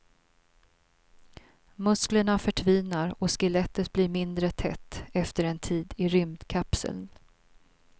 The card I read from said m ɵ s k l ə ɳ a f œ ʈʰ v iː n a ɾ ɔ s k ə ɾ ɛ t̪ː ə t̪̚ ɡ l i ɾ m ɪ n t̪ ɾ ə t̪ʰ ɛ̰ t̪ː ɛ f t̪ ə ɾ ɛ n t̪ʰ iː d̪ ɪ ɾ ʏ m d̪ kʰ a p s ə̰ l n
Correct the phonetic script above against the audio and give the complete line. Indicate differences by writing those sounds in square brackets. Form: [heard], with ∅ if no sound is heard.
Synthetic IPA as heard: m ɵ s k l ə ɳ a f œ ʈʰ v iː n a ɾ ɔ s k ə [l] ɛ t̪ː ə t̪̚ [b] l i ɾ m ɪ n [d̪] ɾ ə t̪ʰ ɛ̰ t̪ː ɛ f t̪ ə ɾ ɛ n t̪ʰ iː d̪ ɪ ɾ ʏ m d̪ kʰ a p s ə̰ l n